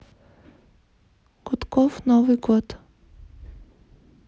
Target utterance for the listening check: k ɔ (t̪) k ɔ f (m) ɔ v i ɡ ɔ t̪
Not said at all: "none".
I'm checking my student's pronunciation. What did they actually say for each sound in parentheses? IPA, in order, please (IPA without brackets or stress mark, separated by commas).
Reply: t̪, n